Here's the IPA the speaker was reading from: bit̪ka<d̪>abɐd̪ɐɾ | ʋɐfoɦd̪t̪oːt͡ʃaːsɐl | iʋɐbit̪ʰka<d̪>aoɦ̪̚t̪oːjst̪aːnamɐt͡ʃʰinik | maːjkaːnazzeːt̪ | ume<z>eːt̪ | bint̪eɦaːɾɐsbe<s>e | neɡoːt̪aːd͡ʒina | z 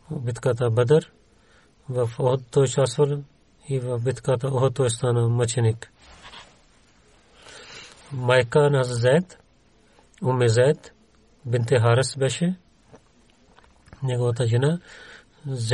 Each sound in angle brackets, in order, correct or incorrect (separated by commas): incorrect, incorrect, correct, incorrect